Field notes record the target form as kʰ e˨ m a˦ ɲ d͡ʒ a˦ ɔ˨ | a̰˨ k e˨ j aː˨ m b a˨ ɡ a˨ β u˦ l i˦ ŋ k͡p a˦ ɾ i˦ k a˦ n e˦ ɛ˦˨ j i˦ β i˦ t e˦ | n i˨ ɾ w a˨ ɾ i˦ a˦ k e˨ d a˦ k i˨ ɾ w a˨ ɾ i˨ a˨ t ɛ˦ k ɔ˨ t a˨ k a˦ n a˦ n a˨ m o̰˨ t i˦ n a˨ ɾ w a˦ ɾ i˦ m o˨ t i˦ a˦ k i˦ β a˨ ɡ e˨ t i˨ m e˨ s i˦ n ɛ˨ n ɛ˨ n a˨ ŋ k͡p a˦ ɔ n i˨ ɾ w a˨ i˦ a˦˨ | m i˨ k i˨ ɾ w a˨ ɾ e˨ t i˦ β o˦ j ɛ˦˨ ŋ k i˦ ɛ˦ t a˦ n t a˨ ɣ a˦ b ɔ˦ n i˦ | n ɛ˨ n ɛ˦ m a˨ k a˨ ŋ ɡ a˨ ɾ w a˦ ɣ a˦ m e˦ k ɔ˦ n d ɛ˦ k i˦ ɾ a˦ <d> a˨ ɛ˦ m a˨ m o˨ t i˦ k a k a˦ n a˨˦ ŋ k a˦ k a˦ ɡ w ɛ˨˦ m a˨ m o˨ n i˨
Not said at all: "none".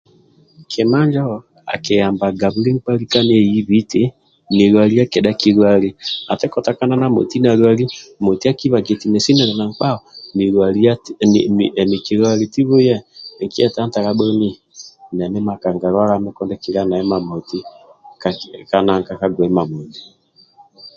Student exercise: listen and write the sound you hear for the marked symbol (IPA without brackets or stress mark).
n